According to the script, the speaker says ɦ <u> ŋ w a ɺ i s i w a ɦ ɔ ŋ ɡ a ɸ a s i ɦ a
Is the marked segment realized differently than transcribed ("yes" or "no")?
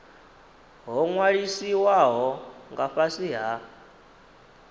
yes